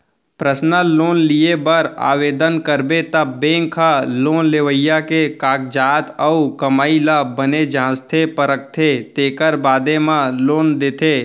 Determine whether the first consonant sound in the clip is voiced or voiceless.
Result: voiceless